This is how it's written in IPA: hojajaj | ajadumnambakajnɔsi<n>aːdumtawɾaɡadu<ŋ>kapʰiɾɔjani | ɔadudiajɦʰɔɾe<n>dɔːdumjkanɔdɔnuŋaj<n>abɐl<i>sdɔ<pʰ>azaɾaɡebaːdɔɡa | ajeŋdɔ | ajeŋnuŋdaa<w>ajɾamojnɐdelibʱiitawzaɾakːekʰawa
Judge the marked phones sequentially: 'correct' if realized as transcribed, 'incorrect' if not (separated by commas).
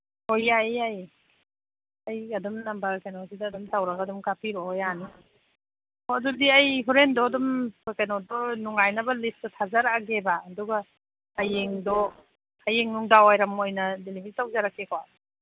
incorrect, incorrect, correct, correct, correct, incorrect, correct